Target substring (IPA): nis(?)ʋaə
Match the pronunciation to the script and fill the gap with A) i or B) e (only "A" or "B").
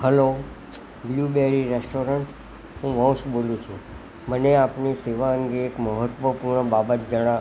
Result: B